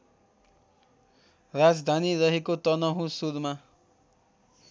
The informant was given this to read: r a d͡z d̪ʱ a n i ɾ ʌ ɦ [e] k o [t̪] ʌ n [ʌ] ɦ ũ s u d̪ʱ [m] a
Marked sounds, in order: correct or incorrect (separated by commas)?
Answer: correct, correct, correct, correct